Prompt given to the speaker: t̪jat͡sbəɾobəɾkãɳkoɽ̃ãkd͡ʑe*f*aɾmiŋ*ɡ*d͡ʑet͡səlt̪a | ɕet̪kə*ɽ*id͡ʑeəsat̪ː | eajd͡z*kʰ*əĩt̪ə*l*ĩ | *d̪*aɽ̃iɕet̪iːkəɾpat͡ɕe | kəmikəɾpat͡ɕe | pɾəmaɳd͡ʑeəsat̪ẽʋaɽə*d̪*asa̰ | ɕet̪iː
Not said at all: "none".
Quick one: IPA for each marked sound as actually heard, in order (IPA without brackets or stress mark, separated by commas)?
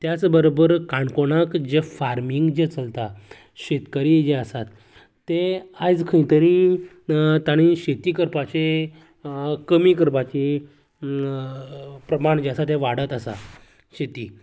f, ɡ, ɾ, kʰ, ɾ, t̪, t̪